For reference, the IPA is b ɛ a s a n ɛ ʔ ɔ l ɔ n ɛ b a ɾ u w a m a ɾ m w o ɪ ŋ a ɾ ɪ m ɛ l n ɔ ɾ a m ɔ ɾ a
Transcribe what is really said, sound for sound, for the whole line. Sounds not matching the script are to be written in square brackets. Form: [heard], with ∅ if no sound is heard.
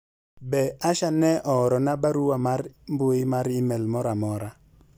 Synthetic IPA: b ɛ a [ʃ] a n ɛ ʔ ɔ [ɾ] ɔ n [a] b a ɾ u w a m a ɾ m [b] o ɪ [m] a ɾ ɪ m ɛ l [m] ɔ ɾ a m ɔ ɾ a